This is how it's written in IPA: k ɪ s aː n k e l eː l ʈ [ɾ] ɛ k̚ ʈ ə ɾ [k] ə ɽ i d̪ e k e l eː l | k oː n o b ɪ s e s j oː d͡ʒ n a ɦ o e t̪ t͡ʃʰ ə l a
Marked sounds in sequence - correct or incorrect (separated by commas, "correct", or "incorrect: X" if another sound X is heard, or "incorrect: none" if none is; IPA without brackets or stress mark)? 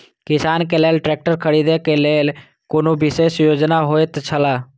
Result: correct, incorrect: kʰ